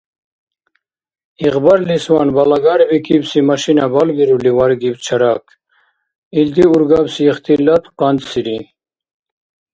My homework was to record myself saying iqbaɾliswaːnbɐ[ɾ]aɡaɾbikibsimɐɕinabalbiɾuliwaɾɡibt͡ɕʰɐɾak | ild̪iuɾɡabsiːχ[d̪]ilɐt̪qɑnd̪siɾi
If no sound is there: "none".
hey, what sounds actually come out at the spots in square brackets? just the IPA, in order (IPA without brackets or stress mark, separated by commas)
l, t̪